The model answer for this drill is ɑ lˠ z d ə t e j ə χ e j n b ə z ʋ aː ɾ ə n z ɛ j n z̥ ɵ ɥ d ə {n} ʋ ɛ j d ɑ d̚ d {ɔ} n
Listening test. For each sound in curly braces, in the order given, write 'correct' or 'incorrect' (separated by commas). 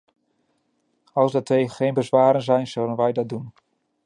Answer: correct, incorrect